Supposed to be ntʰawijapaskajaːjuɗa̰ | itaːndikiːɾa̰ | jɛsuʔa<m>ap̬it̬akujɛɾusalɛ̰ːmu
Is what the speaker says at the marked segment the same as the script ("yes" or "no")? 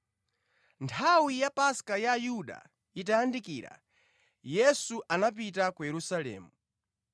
no